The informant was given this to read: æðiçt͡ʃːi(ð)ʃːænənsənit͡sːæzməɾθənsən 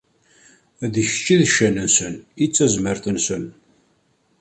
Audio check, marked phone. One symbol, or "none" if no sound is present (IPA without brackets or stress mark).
ð